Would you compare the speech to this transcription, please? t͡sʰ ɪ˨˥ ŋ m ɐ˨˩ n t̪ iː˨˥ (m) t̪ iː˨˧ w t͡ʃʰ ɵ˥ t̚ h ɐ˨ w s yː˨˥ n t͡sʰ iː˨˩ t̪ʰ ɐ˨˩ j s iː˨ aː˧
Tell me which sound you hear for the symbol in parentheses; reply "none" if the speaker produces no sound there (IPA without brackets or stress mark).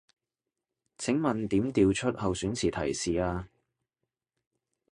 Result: m